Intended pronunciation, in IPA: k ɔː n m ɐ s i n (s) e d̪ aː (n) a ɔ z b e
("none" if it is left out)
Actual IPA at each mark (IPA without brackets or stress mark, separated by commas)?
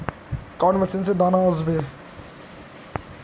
s, n